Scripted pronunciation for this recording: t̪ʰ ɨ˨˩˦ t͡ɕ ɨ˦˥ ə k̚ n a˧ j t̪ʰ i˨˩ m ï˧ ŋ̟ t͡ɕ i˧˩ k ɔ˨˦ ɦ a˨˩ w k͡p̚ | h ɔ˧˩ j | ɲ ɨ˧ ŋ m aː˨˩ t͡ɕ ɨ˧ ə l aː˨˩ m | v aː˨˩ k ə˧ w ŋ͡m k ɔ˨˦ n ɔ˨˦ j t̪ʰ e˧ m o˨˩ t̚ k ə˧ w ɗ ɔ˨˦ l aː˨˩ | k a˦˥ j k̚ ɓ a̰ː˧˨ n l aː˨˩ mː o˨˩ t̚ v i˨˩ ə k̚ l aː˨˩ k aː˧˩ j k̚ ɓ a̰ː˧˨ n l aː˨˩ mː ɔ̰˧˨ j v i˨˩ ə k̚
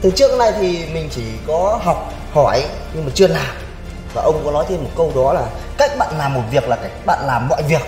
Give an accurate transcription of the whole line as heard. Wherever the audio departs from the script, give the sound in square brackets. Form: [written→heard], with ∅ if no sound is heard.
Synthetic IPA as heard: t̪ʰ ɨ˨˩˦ t͡ɕ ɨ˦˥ ə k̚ n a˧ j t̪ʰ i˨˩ m [ï˧→ï˨˩] ŋ̟ t͡ɕ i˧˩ k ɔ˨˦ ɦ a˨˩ w k͡p̚ | h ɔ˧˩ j | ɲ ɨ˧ ŋ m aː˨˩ t͡ɕ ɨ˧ ə l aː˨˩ m | v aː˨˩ [k→ʔ] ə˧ w ŋ͡m k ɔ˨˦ n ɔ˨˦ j t̪ʰ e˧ m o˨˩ t̚ k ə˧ w ɗ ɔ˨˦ l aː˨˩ | k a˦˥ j k̚ ɓ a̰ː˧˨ n l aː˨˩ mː o˨˩ t̚ v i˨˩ ə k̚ l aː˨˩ k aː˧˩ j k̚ ɓ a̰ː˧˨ n l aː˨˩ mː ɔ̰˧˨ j v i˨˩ ə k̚